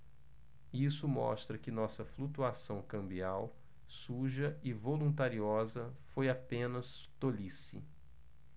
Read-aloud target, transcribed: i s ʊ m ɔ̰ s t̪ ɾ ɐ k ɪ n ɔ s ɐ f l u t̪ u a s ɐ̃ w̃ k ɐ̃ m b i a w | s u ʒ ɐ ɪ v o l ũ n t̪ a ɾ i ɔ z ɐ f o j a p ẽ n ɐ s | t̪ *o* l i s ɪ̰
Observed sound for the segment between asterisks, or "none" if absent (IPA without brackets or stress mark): o